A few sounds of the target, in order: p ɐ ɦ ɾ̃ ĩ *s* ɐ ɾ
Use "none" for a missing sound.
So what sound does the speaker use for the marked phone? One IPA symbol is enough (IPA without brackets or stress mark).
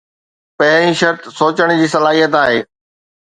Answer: ʃ